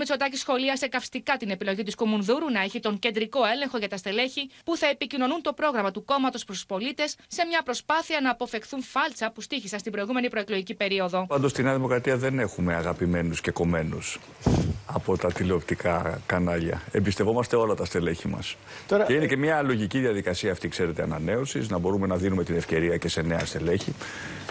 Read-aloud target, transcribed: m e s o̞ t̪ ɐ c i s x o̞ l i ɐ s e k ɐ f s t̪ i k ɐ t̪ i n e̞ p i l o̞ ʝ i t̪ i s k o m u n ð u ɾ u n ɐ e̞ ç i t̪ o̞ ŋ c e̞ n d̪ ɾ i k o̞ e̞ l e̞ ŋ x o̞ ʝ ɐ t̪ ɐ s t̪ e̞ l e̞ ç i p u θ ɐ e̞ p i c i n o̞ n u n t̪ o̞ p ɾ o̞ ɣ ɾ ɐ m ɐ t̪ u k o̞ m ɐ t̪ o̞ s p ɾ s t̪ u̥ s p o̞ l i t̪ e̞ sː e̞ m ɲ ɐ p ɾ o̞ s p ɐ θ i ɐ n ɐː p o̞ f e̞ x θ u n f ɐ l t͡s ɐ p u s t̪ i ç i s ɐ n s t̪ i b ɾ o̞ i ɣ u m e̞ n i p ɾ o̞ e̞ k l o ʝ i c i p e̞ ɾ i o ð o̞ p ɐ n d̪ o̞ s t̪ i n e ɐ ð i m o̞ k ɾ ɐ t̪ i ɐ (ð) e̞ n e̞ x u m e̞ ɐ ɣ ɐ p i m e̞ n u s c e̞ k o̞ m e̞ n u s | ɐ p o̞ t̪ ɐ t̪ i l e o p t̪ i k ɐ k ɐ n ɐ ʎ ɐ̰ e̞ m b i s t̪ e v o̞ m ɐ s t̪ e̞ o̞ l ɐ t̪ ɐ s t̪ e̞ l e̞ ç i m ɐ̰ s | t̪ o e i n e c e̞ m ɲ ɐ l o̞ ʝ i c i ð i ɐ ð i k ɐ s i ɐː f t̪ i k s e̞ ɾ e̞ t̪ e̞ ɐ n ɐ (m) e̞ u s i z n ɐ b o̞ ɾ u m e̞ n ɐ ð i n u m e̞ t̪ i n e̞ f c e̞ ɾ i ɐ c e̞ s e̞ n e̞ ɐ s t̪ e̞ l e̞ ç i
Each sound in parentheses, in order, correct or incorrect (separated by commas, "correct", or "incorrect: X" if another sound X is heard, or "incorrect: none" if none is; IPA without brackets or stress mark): correct, incorrect: n